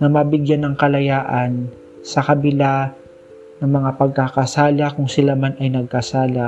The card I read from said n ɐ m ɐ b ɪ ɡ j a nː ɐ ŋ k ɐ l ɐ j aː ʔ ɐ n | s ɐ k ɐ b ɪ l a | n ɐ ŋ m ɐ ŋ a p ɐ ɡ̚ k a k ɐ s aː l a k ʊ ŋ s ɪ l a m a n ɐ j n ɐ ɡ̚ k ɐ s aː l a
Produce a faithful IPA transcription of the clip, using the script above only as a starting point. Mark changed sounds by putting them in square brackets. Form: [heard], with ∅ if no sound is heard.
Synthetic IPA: n ɐ m ɐ b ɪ ɡ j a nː ɐ ŋ k ɐ l ɐ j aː ʔ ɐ n | s ɐ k ɐ b ɪ l a | n ɐ ŋ m ɐ ŋ a p ɐ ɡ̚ k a k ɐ s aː l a k ʊ ŋ s ɪ l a m a n ɐ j n ɐ ɡ̚ k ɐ s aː l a